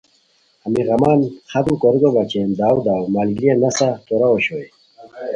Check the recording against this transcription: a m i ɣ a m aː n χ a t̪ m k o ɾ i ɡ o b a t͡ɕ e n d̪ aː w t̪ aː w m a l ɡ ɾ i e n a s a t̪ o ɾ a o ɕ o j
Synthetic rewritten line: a m i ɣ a m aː n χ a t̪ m k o ɾ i ɡ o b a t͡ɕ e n d̪ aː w d̪ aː w m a l ɡ ɾ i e n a s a t̪ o ɾ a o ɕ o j